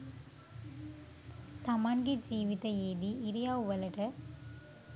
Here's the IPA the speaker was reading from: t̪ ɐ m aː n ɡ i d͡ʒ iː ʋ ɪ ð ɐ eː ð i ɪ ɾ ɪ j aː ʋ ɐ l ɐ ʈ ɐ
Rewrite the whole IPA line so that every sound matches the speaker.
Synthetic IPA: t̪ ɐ m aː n ɡ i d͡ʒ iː ʋ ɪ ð ɐ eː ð i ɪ ɾ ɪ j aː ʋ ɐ l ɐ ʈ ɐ